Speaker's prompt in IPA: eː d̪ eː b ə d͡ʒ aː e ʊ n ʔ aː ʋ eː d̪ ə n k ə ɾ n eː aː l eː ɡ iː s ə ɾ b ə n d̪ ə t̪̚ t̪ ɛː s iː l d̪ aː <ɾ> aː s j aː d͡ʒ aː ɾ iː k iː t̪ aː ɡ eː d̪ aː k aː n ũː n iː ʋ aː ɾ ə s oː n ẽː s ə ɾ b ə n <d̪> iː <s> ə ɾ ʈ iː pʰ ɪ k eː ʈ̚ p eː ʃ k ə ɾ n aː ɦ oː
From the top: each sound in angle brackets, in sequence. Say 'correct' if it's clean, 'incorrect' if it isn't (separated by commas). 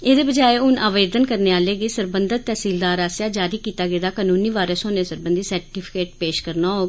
correct, correct, correct